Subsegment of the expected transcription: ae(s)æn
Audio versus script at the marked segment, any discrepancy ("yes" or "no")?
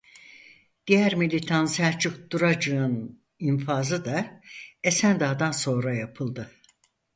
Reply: no